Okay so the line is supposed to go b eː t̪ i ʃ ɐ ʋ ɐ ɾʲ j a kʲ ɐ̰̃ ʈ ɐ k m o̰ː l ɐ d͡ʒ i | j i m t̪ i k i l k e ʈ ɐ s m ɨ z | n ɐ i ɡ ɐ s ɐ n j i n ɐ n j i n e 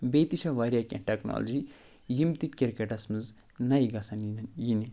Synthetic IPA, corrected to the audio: b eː t̪ i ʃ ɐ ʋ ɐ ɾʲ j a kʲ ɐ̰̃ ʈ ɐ k n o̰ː l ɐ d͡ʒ i | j i m t̪ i k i ɾ k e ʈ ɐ s m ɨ z | n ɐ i ɡ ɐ s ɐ n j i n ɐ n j i n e